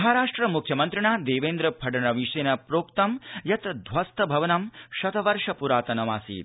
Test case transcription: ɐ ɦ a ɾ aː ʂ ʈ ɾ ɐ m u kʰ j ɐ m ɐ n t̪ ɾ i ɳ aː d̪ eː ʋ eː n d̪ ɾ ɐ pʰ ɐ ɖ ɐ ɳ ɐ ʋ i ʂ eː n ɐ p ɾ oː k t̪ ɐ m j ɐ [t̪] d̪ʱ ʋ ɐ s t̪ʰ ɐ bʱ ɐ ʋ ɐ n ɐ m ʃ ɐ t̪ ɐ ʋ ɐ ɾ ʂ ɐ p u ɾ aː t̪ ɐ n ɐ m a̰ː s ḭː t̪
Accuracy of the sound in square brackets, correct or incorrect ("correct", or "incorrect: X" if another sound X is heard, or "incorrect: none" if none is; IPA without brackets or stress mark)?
correct